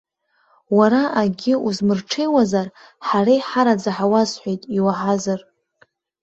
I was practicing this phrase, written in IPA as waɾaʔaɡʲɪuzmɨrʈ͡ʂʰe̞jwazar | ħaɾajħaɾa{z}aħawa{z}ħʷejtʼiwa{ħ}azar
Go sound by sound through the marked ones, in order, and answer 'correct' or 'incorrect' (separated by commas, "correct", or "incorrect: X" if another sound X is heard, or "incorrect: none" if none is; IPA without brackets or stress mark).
incorrect: d͡z, correct, correct